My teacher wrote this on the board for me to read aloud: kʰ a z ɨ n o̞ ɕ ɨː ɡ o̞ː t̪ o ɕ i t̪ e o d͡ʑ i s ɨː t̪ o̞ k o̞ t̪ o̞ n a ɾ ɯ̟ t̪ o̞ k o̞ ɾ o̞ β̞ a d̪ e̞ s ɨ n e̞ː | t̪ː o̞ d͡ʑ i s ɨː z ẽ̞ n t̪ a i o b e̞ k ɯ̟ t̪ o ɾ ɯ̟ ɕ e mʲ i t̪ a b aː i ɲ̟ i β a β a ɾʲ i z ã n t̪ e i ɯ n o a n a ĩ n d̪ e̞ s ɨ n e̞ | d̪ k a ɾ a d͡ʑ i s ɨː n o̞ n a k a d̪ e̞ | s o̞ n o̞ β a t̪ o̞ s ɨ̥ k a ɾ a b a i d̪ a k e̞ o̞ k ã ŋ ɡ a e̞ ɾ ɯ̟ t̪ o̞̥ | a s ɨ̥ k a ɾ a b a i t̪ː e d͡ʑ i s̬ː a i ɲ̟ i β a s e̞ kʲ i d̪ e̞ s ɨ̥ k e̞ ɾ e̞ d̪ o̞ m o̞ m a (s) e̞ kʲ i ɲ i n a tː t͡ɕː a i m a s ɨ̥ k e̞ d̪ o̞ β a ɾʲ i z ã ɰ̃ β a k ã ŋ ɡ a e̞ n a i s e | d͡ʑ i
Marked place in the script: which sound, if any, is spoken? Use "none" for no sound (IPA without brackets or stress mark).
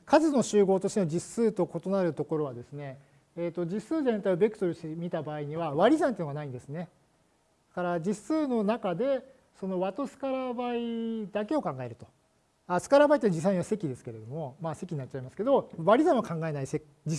s